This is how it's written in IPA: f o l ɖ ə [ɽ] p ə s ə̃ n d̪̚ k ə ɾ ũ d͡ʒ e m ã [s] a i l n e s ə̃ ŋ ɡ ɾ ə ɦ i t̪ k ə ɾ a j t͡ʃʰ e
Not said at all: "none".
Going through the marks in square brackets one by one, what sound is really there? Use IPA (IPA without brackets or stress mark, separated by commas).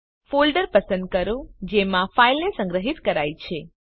ɾ, f